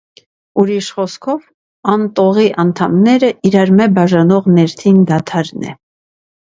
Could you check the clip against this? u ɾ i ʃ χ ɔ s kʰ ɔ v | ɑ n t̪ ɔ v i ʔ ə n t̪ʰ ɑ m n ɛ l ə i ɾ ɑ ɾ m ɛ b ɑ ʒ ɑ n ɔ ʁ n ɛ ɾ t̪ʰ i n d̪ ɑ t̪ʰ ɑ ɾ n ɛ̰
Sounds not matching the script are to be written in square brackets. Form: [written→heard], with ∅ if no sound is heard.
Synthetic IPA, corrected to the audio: u ɾ i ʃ χ ɔ s kʰ ɔ v | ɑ n t̪ ɔ [v→ʁ] i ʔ [ə→ɑ] n t̪ʰ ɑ m n ɛ [l→ɾ] ə i ɾ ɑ ɾ m ɛ b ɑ ʒ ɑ n ɔ ʁ n ɛ ɾ t̪ʰ i n d̪ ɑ t̪ʰ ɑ ɾ n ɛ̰